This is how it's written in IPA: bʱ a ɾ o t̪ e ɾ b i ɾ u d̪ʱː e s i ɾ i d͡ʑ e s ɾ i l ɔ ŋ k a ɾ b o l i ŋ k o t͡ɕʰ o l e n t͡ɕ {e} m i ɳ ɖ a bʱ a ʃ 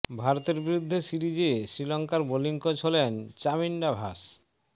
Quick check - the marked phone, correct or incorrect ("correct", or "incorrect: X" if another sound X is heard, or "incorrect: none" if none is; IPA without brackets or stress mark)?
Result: incorrect: a